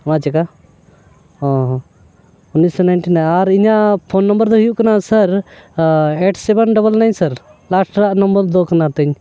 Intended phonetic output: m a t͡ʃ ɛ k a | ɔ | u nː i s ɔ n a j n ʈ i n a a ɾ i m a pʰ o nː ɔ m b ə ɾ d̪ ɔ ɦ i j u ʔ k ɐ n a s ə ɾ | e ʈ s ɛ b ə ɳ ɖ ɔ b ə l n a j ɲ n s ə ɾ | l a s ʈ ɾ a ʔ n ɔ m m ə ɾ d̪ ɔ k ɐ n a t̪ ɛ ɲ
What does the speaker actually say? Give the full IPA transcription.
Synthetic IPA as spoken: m a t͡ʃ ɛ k a | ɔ | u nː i s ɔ n a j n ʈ i n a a ɾ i ɲ a pʰ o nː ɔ m b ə ɾ d̪ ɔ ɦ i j u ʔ k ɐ n a s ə ɾ | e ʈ s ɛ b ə n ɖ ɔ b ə l n a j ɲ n s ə ɾ | l a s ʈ ɾ a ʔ n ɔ m b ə ɾ d̪ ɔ k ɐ n a t̪ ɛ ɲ